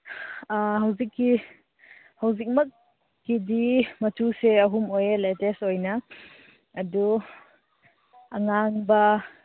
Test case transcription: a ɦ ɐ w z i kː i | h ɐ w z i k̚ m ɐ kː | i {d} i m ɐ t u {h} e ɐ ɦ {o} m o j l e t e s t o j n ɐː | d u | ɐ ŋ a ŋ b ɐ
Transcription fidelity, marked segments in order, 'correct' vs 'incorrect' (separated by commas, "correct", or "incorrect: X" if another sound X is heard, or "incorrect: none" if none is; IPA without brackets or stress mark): correct, incorrect: s, incorrect: u